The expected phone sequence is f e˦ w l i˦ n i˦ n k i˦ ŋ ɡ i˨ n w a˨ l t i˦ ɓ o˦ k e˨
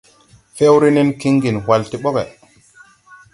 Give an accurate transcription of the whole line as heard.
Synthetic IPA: f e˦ w ɾ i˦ n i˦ n k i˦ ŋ ɡ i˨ n w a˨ l t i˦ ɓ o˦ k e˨